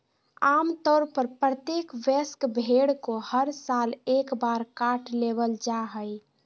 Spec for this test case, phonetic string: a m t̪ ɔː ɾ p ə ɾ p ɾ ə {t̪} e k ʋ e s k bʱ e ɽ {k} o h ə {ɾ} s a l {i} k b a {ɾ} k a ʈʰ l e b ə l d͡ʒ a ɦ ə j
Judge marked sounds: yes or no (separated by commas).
yes, yes, yes, no, yes